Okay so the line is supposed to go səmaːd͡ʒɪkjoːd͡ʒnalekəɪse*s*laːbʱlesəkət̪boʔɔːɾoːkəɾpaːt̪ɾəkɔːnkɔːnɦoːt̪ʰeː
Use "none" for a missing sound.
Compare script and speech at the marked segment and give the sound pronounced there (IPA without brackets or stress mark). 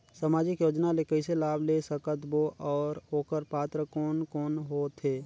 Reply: none